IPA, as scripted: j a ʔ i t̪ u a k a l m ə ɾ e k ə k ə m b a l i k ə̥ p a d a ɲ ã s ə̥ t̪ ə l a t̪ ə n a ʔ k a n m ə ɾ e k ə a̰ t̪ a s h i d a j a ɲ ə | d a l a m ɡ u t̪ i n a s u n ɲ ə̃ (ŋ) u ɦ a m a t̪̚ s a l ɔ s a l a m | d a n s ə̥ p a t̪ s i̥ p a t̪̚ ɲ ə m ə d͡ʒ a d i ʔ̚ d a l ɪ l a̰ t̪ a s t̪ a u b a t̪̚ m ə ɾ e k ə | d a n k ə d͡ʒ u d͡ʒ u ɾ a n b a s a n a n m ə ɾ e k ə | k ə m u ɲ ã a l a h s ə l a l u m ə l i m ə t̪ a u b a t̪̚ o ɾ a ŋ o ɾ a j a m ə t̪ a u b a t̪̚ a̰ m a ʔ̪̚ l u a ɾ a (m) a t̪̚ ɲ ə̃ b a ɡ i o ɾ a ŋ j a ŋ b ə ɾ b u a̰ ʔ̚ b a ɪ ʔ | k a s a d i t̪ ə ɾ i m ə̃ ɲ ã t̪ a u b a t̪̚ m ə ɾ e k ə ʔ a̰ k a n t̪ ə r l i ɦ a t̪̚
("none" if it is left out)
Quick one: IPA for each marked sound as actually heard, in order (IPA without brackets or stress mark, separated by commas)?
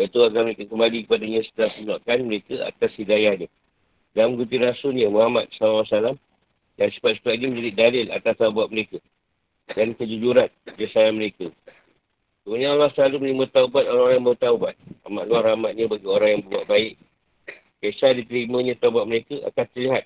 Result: m, m